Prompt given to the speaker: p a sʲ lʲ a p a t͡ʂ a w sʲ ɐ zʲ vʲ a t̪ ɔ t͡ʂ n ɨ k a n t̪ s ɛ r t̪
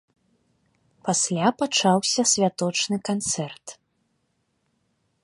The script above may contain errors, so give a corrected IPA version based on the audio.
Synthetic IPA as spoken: p a sʲ lʲ a p a t͡ʂ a w sʲ ɐ sʲ vʲ a t̪ ɔ t͡ʂ n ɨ k a n t̪ s ɛ r t̪